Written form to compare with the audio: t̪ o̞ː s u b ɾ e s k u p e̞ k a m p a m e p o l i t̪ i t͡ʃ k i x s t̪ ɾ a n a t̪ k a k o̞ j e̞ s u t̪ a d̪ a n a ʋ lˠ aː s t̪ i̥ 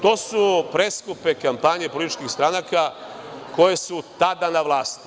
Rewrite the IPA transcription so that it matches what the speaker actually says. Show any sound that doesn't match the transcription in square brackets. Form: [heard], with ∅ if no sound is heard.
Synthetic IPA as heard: t̪ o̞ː s u [p] ɾ e s k u p e̞ k a m p a [ɲ] e p o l i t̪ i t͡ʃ k i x s t̪ ɾ a n a [∅] k a k o̞ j e̞ s u t̪ a d̪ a n a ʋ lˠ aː s t̪ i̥